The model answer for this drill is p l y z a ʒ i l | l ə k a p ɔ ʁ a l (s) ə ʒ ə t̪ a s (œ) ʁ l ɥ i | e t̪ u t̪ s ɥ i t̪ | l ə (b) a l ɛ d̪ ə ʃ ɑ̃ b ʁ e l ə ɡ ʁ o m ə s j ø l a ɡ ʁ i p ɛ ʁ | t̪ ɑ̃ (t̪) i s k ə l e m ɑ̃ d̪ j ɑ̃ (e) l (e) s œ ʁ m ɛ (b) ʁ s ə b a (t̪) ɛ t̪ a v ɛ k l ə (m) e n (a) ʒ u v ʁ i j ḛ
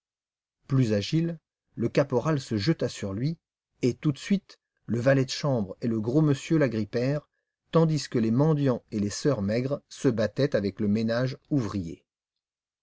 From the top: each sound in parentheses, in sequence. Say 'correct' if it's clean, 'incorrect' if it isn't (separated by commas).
correct, incorrect, incorrect, incorrect, correct, correct, incorrect, correct, correct, correct